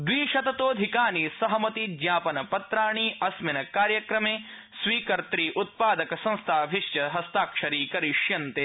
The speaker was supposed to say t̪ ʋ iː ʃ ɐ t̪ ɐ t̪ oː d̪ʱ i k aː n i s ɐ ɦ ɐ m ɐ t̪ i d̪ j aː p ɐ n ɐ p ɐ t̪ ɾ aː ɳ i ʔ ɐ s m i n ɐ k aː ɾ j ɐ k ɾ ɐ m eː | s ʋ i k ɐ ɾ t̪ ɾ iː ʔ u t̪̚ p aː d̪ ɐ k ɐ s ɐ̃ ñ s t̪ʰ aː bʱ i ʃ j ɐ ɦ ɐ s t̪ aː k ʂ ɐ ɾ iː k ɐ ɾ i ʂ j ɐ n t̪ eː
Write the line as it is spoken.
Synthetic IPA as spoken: d̪ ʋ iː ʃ ɐ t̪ ɐ t̪ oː d̪ʱ i k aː n i s ɐ ɦ ɐ m ɐ t̪ i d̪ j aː p ɐ n ɐ p ɐ t̪ ɾ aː ɳ i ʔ ɐ s m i n ɐ k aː ɾ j ɐ k ɾ ɐ m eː | s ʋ iː k ɐ ɾ t̪ ɾ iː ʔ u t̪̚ p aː d̪ ɐ k ɐ s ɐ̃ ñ s t̪ʰ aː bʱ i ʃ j ɐ ɦ ɐ s t̪ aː k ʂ ɐ ɾ iː k ɐ ɾ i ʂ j ɐ n t̪ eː